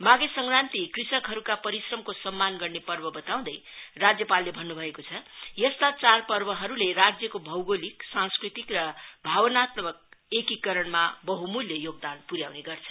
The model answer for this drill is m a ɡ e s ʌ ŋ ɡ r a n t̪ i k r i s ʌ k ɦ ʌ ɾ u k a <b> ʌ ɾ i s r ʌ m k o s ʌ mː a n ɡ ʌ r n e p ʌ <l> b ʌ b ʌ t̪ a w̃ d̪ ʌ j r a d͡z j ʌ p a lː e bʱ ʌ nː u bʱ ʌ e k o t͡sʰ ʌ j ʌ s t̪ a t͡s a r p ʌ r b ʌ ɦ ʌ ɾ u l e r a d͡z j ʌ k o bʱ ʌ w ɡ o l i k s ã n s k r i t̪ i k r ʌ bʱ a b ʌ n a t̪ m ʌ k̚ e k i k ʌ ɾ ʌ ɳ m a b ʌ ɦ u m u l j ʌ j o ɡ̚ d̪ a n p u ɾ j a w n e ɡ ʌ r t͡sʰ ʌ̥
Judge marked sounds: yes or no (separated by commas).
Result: no, no